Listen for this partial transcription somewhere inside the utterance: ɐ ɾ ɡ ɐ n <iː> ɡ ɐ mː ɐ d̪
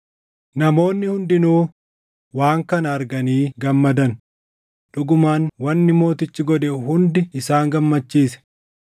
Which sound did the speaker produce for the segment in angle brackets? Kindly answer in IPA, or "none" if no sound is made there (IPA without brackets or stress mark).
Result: iː